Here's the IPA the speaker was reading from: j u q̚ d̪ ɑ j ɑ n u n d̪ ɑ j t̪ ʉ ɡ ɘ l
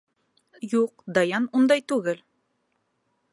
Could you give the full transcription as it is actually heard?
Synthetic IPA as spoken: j u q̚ d̪ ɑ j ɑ n u n d̪ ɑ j t̪ ʉ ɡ ɘ l